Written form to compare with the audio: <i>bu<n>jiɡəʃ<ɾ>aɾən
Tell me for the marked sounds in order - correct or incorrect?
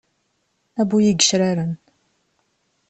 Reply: incorrect, incorrect, correct

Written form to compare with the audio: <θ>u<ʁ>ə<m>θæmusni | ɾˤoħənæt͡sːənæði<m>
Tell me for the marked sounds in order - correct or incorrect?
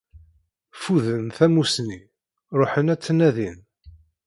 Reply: incorrect, incorrect, incorrect, incorrect

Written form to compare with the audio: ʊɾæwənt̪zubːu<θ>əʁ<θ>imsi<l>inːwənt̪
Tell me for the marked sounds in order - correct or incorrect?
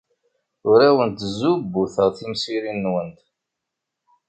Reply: correct, correct, incorrect

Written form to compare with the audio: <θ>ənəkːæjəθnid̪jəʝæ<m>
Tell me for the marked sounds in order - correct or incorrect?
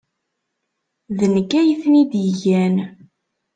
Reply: incorrect, incorrect

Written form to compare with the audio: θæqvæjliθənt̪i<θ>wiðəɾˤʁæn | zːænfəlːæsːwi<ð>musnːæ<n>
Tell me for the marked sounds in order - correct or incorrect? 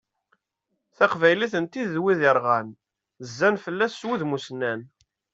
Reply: incorrect, correct, correct

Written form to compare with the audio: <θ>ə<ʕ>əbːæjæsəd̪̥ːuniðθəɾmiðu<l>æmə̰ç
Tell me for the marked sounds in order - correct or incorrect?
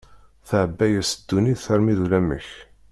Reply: correct, correct, correct

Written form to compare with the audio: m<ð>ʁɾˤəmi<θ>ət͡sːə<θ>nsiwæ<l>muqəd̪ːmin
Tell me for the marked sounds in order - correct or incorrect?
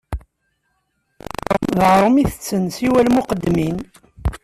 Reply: correct, correct, incorrect, correct

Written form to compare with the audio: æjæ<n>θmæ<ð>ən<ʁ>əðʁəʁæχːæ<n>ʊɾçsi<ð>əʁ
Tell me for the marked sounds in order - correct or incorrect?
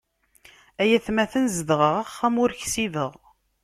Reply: incorrect, incorrect, incorrect, incorrect, correct

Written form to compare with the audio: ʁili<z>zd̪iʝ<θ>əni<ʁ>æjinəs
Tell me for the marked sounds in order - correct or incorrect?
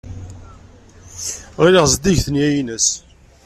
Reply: incorrect, correct, incorrect

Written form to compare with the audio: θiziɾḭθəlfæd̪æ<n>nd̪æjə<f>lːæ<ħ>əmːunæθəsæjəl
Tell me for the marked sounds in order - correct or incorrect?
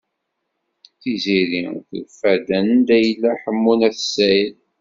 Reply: correct, incorrect, correct

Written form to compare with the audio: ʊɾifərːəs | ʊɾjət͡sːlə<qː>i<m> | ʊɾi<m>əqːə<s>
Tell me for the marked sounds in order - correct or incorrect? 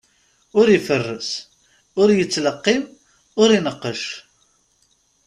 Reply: correct, correct, incorrect, incorrect

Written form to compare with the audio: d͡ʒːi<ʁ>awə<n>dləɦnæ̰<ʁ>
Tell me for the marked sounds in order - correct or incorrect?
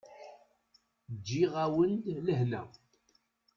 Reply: correct, correct, incorrect

